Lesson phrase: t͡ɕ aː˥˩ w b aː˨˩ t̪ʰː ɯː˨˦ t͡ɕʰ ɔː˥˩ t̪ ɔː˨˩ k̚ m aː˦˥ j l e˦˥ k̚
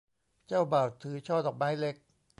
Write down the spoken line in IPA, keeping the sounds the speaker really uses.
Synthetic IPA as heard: t͡ɕ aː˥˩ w b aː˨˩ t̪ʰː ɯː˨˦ t͡ɕʰ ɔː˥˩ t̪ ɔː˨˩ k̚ m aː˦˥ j l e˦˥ k̚